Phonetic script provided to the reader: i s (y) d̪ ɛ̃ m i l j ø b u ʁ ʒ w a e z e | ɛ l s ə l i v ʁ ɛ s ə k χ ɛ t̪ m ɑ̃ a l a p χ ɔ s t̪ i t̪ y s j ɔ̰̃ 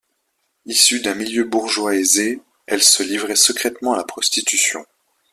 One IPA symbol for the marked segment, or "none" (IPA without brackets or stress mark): y